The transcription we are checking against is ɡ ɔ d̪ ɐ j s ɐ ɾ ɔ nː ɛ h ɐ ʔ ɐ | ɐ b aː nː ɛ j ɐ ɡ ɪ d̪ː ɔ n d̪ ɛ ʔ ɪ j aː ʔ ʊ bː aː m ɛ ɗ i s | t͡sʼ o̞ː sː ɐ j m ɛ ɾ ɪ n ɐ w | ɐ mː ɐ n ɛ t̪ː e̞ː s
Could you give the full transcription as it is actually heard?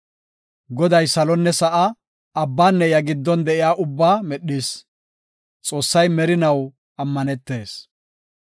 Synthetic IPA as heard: ɡ ɔ d̪ ɐ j s ɐ l ɔ nː ɛ s ɐ ʔ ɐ | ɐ bː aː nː ɛ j ɐ ɡ ɪ d̪ː ɔ n d̪ ɛ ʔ ɪ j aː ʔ ʊ bː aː m ɛ ɗ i s | t͡sʼ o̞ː sː ɐ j m ɛ ɾ ɪ n ɐ w | ɐ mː ɐ n ɛ t̪ː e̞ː s